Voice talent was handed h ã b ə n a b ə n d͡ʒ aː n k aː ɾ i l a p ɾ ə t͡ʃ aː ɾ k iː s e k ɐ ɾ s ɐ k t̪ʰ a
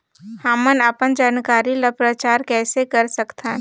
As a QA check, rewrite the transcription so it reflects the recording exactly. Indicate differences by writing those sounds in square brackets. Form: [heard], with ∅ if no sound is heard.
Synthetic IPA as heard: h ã [m] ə n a [p] ə n d͡ʒ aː n k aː ɾ i l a p ɾ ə t͡ʃ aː ɾ k [ɛː] s e k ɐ ɾ s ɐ k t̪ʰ a